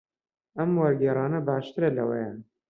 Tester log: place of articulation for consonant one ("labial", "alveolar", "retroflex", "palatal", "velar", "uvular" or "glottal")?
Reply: labial